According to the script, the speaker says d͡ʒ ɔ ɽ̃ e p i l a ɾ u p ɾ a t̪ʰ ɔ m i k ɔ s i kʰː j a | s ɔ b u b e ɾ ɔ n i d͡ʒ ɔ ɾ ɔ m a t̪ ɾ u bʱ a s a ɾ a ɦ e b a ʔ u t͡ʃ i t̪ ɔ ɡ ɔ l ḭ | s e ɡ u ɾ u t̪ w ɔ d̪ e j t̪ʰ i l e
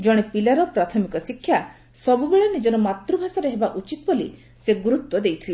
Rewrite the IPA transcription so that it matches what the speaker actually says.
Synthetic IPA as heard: d͡ʒ ɔ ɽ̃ e p i l a ɾ ɔ p ɾ a t̪ʰ ɔ m i k ɔ s i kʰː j a | s ɔ b u b e ɭ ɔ n i d͡ʒ ɔ ɾ ɔ m a t̪ ɾ u bʱ a s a ɾ e ɦ e b a ʔ u t͡ʃ i t̪ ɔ b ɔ l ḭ | s e ɡ u ɾ u t̪ w ɔ d̪ e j t̪ʰ i l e